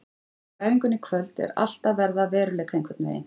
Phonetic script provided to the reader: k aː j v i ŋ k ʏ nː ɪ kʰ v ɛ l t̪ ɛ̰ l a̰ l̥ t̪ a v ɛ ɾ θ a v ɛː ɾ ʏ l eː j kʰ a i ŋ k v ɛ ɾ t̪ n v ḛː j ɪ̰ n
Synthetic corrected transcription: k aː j v i ŋ k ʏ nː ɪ kʰ v œ l t̪ ɛ̰ ɾ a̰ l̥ t̪ a v ɛ ɾ ð a v ɛː ɾ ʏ l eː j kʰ a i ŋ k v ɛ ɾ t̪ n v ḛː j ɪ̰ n